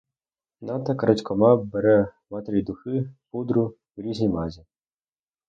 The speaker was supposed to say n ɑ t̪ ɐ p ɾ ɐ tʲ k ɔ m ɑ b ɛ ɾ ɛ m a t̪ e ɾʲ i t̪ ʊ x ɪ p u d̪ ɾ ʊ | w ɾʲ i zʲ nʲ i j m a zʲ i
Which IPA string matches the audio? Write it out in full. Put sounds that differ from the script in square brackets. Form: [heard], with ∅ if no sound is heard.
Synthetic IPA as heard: n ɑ t̪ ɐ [k] ɾ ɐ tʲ k ɔ m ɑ b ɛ ɾ ɛ m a t̪ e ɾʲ i [d̪] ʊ x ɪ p u d̪ ɾ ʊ | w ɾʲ i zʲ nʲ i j m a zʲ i